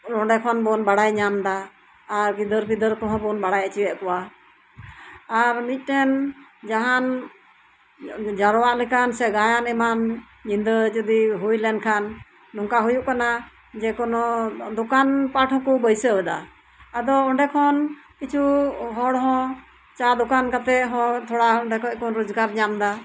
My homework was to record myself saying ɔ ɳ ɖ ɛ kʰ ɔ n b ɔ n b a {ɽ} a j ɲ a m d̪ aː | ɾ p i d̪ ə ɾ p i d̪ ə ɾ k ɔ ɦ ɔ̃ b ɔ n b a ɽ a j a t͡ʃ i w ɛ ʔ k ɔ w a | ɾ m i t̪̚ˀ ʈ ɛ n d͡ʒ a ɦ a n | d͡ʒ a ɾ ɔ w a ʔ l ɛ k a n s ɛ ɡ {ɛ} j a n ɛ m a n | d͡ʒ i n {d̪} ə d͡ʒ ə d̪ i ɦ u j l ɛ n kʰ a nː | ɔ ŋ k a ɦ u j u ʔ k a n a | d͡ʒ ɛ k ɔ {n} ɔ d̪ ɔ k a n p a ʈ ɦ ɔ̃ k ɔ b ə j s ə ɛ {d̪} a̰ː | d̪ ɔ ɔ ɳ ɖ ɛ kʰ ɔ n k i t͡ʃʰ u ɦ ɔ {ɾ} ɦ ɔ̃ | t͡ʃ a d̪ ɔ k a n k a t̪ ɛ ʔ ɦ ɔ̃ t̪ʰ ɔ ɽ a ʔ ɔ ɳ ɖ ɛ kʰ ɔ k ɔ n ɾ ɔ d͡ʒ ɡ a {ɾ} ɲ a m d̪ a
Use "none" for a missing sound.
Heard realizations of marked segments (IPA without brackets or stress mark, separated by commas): ɽ, a, d̪, n, d̪, ɽ, ɾ